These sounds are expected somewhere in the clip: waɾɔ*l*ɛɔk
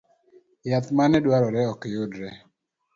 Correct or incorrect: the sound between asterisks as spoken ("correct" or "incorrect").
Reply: incorrect